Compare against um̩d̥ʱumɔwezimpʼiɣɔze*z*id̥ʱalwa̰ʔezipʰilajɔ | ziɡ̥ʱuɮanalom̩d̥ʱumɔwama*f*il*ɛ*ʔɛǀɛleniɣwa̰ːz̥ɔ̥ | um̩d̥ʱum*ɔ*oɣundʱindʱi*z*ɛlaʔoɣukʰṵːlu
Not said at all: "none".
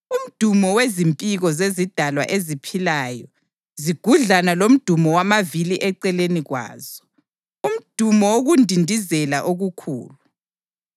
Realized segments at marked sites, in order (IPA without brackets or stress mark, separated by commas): z, v, i, ɔ, z